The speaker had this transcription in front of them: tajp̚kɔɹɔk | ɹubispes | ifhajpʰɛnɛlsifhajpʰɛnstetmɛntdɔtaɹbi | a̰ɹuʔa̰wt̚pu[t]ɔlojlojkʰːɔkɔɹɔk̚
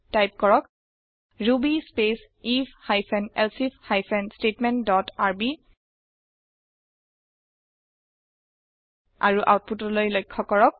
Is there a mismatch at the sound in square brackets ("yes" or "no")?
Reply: no